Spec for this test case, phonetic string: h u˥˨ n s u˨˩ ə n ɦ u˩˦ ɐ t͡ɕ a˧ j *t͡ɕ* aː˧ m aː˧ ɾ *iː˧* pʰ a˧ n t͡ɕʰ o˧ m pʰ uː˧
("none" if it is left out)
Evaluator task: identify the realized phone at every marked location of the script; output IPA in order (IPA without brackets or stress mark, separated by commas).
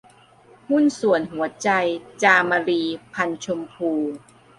t͡ɕ, iː˧